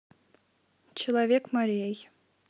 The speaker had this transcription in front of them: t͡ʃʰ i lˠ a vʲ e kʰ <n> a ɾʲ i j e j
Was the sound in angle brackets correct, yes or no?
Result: no